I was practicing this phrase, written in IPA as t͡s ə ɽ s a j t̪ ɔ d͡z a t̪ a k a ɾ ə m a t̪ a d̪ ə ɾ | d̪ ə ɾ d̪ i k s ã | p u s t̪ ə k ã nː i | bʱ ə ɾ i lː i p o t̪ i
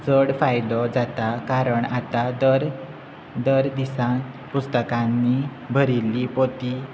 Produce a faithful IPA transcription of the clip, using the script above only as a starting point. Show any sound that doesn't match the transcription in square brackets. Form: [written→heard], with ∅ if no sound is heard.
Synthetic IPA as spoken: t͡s ə ɽ [s→f] a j [t̪→d̪] ɔ d͡z a t̪ a k a ɾ ə [m→ɳ] a t̪ a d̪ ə ɾ | d̪ ə ɾ d̪ i [k→∅] s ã | p u s t̪ ə k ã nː i | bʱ ə ɾ i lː i p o t̪ i